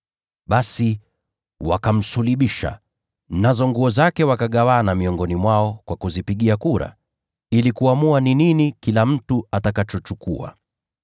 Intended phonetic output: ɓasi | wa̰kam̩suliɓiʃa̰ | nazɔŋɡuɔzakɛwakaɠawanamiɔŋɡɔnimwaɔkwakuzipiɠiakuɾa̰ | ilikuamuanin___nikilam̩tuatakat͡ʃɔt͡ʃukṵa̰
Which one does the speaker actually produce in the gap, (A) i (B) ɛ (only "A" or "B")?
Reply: A